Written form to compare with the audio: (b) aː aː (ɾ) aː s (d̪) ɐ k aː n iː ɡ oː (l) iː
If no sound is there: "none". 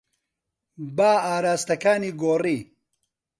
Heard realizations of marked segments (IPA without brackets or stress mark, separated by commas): b, ɾ, t̪, r